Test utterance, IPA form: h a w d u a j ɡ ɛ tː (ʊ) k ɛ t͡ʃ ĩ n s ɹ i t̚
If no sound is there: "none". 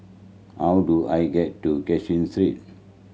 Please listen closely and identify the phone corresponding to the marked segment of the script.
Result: u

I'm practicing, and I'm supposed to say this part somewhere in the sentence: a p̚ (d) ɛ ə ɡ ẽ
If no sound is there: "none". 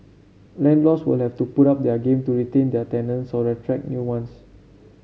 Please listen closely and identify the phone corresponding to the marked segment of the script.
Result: d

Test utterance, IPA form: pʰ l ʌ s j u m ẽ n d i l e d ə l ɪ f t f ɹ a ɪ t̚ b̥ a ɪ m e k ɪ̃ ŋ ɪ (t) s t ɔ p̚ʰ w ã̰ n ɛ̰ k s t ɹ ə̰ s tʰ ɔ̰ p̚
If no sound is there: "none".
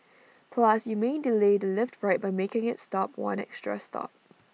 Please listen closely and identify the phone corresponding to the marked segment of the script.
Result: t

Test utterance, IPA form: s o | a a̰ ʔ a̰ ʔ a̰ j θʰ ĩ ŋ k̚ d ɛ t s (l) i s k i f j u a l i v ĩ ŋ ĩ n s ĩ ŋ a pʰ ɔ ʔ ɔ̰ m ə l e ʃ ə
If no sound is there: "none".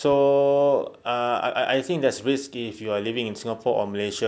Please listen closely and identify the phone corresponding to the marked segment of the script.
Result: ɹ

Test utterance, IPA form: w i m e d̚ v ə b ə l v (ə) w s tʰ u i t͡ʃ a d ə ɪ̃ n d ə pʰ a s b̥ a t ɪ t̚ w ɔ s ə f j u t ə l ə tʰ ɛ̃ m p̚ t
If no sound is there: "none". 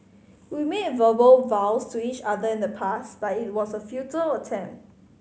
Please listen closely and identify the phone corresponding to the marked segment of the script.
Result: a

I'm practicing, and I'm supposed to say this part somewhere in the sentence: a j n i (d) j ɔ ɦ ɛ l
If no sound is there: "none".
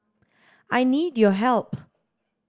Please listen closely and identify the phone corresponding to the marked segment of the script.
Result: d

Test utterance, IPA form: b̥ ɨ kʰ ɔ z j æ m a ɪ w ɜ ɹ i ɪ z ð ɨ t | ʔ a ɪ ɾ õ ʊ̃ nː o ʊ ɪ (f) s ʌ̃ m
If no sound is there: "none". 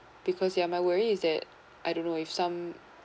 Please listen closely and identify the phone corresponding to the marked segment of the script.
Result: f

